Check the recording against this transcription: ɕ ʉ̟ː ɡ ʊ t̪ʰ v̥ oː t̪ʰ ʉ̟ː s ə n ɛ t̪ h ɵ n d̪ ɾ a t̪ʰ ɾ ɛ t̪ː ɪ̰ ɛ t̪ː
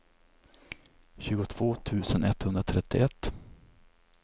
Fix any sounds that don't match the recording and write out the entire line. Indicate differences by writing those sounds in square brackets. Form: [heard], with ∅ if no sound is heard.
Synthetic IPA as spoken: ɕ ʉ̟ː ɡ ʊ t̪ʰ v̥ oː t̪ʰ ʉ̟ː s ə n ɛ t̪ h ɵ n d̪ ɾ a t̪ʰ ɾ ɛ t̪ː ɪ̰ ɛ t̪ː